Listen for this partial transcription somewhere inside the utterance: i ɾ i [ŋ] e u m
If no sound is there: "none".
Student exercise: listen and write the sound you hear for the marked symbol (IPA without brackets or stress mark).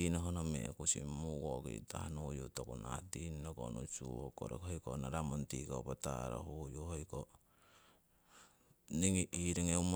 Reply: ŋ